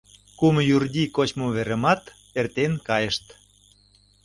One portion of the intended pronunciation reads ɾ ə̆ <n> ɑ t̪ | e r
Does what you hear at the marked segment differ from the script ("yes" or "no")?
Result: yes